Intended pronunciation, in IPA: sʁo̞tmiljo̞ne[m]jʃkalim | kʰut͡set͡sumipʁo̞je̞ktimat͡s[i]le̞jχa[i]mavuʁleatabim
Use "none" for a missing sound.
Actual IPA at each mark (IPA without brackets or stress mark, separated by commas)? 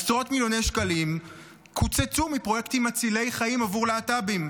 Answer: none, i, i